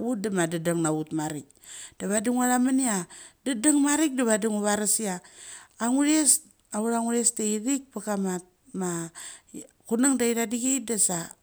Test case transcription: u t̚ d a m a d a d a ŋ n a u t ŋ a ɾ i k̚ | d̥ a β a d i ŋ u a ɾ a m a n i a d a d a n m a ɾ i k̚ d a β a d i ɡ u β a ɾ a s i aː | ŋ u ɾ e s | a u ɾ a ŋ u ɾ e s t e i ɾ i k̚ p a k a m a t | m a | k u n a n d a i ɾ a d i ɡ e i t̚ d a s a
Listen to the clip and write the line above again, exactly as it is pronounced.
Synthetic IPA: u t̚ d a m a d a d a ŋ n a u t m a ɾ i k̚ | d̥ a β a d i ŋ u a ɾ a m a n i a d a d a ŋ m a ɾ i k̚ d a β a d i ŋ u β a ɾ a s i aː | ŋ u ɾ e s | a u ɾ a ŋ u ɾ e s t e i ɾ i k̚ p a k a m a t | m a | k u n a ŋ d a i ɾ a d i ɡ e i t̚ d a s a